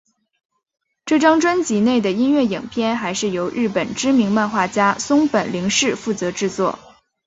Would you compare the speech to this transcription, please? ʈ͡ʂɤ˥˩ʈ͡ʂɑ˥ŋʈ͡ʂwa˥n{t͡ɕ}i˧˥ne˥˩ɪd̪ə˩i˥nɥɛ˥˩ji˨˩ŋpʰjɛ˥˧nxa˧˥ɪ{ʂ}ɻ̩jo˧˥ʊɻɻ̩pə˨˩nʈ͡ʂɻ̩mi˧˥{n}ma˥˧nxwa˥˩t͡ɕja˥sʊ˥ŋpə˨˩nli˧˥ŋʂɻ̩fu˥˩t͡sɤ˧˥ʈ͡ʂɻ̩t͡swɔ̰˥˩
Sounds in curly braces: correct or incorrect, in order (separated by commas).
correct, correct, incorrect